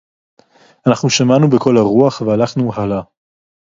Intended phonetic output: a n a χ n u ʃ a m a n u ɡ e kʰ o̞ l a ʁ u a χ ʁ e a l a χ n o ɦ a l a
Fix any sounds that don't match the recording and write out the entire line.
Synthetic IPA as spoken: a n a χ n u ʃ a m a n u b e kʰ o̞ l a ʁ u a χ v e a l a χ n u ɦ a l a